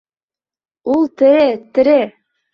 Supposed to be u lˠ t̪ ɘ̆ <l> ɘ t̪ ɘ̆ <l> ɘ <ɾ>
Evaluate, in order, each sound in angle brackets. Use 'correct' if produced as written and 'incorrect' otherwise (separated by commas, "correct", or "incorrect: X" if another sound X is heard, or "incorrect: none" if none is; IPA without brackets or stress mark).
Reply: incorrect: ɾ, incorrect: ɾ, incorrect: none